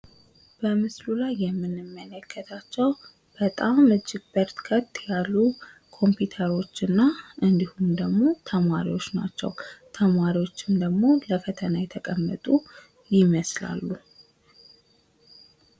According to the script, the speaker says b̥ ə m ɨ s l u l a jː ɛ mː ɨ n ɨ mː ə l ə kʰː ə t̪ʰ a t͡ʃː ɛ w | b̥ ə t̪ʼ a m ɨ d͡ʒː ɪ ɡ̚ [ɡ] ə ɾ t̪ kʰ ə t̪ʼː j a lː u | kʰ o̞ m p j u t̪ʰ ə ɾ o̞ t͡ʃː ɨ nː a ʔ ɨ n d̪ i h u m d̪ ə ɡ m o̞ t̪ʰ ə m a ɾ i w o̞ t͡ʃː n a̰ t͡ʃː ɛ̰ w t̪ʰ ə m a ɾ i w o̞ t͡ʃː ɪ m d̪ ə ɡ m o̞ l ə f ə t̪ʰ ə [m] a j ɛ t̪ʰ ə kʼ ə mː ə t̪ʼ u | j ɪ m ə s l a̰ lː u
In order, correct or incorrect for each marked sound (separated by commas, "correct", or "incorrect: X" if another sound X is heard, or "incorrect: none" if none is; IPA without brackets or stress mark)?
incorrect: b, incorrect: n